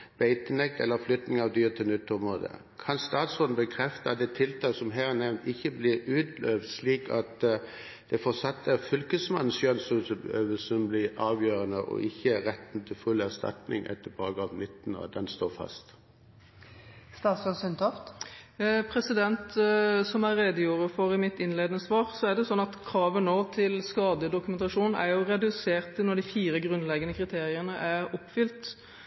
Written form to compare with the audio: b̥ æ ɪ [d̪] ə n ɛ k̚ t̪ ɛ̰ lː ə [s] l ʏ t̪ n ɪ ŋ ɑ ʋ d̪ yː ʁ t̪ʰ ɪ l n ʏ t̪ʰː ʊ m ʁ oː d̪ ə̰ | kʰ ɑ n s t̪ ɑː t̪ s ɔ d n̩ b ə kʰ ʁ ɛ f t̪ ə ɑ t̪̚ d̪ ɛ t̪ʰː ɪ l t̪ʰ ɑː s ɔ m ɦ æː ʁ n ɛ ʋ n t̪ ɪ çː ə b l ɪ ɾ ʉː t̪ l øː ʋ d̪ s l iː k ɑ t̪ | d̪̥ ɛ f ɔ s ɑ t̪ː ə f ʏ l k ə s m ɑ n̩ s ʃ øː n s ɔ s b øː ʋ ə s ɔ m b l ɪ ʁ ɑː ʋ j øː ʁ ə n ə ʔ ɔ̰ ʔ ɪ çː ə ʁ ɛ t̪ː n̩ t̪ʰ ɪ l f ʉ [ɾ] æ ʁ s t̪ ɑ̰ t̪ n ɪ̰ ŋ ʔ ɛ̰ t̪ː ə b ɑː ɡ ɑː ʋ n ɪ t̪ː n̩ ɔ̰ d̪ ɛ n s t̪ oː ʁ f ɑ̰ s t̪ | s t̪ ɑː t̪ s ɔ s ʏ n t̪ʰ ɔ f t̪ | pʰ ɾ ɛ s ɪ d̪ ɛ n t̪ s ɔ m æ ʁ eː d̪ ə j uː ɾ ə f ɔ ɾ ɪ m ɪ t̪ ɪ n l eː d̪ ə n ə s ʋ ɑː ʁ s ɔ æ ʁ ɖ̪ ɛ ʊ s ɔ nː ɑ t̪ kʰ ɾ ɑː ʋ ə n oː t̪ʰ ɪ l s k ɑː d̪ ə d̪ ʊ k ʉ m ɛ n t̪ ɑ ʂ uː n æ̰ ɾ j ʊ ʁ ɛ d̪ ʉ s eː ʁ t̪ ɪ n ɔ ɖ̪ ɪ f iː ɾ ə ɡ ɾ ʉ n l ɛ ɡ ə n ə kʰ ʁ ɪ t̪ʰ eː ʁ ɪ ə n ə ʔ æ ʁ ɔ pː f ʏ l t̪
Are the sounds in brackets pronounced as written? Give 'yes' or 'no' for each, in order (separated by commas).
no, no, no